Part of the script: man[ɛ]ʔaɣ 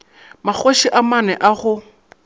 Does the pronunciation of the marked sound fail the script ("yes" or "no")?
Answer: no